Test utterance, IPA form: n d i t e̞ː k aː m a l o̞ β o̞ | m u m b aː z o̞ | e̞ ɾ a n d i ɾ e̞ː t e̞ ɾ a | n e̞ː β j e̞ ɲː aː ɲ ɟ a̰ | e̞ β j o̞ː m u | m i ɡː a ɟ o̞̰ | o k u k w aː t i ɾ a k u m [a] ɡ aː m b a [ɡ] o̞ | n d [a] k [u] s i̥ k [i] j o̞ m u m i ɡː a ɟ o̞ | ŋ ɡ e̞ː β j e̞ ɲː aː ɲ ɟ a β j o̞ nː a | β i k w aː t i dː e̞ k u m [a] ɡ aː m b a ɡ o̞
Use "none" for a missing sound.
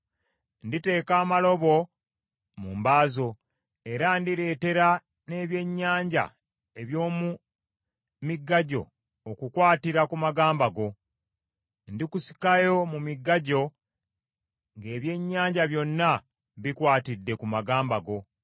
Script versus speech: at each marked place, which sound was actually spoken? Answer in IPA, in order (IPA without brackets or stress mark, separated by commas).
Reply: a, ɡ, i, u, a, a